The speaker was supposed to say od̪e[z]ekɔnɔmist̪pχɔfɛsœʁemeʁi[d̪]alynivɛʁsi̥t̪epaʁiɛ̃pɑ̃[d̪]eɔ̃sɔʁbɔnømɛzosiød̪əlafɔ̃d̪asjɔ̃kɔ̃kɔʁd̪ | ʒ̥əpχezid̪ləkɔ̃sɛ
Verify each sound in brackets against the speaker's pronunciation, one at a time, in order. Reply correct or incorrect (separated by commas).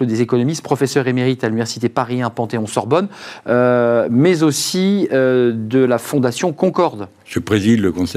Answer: correct, incorrect, incorrect